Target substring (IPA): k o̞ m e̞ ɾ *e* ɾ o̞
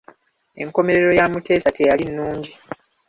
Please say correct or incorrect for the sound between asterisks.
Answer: correct